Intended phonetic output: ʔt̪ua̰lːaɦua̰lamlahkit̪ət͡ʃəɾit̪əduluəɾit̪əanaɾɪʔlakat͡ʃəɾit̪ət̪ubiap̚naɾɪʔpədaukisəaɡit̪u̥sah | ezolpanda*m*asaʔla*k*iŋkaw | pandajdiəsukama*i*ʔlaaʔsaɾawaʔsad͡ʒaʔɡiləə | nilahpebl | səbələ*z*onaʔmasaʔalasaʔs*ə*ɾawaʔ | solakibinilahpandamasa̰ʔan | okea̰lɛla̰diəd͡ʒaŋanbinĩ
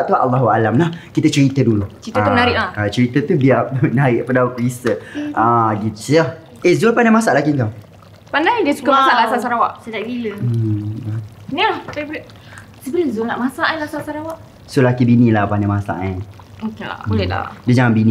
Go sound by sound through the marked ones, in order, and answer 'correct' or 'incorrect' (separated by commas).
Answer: correct, correct, incorrect, correct, incorrect